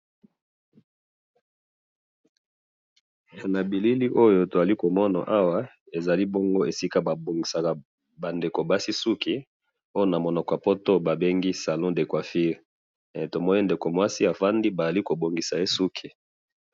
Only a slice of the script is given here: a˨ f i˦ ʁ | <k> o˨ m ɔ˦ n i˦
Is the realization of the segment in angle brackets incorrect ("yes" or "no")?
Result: yes